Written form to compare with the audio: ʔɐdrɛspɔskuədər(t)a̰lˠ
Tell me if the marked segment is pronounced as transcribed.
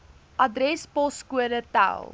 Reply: yes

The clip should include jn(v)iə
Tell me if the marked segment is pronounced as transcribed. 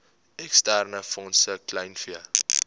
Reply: no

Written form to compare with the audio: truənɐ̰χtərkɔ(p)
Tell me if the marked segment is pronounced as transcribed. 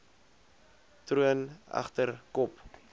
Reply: yes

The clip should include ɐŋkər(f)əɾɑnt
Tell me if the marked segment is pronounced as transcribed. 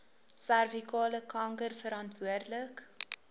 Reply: yes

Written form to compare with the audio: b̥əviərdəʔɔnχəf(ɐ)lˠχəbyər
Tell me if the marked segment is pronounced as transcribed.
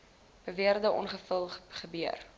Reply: no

